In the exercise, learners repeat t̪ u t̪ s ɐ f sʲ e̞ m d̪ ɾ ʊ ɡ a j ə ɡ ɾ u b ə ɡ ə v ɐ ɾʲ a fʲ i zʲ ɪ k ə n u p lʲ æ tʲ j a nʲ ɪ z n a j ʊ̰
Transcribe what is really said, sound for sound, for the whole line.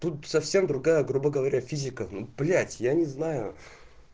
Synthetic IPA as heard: t̪ u t̪ s ɐ f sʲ e̞ m d̪ ɾ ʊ ɡ a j ə ɡ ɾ u b ə ɡ ə v ɐ ɾʲ a fʲ i zʲ ɪ k ə n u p lʲ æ tʲ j a nʲ ɪ z n a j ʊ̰